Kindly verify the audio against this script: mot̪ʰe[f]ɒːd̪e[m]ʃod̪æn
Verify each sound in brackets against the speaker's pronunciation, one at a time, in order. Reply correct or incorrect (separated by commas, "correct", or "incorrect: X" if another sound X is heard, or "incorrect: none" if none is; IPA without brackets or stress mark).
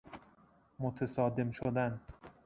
incorrect: s, correct